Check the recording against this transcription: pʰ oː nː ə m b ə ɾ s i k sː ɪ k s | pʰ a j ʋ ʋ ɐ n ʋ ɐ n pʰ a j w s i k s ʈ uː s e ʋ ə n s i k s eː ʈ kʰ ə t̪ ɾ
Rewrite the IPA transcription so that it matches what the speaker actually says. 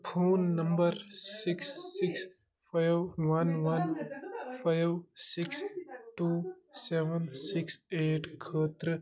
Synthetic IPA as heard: pʰ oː nː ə m b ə ɾ s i k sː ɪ k s | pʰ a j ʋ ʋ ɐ n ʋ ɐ n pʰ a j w s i k s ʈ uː s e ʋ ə n s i k s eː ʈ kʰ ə t̪ ɾ